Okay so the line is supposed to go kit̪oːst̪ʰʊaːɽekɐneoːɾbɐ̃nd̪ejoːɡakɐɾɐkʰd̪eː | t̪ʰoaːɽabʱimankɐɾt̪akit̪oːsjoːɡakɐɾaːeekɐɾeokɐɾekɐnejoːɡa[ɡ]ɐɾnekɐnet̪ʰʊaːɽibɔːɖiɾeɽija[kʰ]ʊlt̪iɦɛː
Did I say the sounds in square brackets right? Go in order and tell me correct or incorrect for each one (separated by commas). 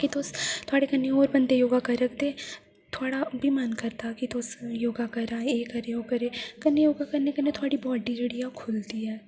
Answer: incorrect, correct